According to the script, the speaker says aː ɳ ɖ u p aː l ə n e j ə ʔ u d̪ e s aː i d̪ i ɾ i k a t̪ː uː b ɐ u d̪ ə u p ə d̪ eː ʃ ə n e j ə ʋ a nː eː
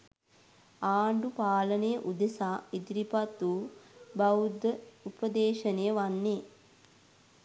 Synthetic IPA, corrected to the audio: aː ɳ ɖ u p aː l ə n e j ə ʔ u d̪ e s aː i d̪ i ɾ i p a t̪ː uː b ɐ u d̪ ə u p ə d̪ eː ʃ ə n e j ə ʋ a nː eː